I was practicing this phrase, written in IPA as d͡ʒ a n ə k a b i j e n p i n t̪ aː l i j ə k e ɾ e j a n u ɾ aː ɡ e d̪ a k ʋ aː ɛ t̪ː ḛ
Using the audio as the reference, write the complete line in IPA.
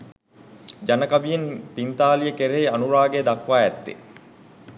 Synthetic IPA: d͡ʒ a n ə k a b i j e n p i n t̪ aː l i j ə k e ɾ e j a n u ɾ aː ɡ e d̪ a k ʋ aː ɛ t̪ː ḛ